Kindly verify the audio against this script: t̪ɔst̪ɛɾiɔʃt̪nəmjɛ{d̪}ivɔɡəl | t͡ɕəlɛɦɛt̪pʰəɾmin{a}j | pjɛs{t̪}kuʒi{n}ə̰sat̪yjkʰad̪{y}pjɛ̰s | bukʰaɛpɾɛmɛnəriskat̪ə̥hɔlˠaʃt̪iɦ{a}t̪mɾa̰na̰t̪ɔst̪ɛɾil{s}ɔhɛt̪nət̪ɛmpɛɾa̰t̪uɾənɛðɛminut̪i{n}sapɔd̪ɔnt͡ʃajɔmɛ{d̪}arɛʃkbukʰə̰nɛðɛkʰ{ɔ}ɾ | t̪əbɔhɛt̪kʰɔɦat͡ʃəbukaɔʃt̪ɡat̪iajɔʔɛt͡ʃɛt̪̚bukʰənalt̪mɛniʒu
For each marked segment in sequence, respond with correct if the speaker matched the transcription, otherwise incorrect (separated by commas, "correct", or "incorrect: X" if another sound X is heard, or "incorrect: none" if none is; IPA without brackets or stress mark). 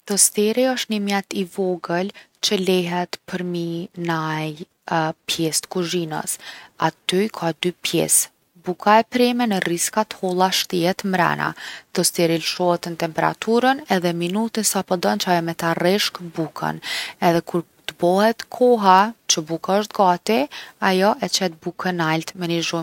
incorrect: t̪, correct, correct, correct, correct, incorrect: ɛ, incorrect: ʃ, correct, incorrect: t̪, incorrect: u